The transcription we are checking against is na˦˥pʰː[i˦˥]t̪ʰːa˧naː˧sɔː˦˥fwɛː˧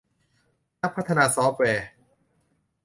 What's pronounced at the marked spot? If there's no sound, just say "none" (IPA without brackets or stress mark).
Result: a˦˥